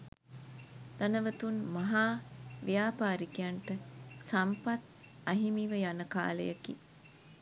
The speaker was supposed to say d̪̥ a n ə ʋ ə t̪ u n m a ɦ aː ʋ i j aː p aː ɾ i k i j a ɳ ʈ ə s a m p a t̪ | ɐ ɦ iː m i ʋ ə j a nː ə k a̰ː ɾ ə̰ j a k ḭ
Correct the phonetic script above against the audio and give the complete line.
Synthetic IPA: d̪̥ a n ə ʋ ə t̪ u n m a ɦ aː ʋ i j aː p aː ɾ i k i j a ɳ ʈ ə s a m p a t̪ | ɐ ɦ i m i ʋ ə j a n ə k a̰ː l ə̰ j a k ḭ